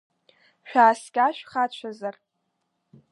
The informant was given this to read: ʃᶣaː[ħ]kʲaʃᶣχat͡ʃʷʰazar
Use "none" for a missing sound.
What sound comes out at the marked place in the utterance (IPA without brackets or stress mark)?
s